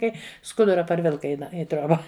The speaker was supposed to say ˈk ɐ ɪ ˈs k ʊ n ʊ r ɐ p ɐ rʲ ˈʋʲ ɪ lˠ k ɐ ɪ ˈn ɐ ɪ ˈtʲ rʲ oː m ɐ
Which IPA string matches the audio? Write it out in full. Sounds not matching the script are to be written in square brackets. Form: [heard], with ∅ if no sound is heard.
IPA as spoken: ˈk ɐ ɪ ˈs k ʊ [d] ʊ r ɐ p ɐ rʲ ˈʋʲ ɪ lˠ k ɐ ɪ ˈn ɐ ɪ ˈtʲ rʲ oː [b] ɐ